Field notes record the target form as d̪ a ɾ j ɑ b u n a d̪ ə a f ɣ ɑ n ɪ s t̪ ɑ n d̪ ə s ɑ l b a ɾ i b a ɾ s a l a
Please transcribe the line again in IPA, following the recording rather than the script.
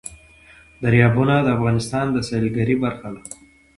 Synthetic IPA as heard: d̪ a ɾ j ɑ b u n a d̪ ə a f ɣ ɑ n ɪ s t̪ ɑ n d̪ ə s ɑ l ɡ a ɾ i b a ɾ x a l a